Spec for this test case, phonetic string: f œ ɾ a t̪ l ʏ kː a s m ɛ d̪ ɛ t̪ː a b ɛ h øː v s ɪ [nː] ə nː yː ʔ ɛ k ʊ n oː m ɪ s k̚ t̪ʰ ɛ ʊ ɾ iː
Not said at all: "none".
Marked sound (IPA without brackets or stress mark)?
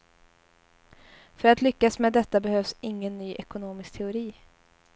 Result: ŋː